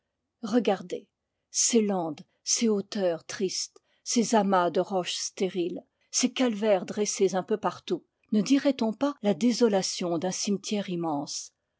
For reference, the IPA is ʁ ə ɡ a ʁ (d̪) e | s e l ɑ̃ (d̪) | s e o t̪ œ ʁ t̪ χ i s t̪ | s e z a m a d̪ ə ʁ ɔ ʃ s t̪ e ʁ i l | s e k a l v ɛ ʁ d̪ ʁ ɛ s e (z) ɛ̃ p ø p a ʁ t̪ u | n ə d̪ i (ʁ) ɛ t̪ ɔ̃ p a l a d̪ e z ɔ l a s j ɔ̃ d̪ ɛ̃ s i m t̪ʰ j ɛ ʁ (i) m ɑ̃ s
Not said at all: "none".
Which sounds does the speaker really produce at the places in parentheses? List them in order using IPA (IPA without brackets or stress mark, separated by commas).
d̪, d̪, z, ʁ, i